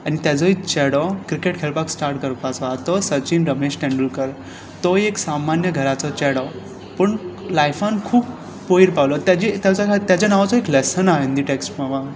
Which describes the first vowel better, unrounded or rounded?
unrounded